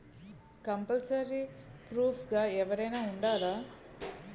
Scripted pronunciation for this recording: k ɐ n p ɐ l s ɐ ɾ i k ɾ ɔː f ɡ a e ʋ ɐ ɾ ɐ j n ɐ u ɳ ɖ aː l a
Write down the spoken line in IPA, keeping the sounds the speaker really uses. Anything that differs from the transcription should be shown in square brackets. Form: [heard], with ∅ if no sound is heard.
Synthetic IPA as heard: k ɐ [m] p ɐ l s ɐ ɾ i [p] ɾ [uː] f ɡ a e ʋ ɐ ɾ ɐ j n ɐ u ɳ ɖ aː l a